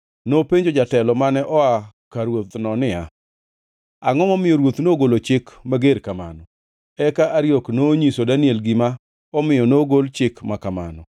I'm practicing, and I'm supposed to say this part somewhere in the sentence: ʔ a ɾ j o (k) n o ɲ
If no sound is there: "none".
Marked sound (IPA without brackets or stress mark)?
k